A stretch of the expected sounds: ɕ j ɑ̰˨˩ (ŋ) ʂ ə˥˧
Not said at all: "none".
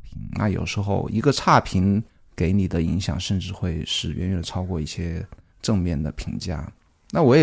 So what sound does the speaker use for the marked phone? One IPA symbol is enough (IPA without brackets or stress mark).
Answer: ŋ